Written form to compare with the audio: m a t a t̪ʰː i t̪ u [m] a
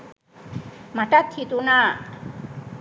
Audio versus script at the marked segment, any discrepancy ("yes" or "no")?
yes